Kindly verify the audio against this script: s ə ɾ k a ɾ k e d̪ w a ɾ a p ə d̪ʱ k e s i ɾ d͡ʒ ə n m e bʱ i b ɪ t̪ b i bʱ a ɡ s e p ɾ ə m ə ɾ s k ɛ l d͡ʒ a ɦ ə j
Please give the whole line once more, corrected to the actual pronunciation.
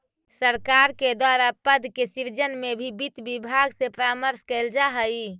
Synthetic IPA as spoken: s ə ɾ k a ɾ k e d̪ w a ɾ a p ə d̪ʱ k e s i ɾ d͡ʒ ə n m e bʱ i b i t̪ b i bʱ a ɡ s e p ɾ a m ə ɾ s k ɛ l d͡ʒ a ɦ ə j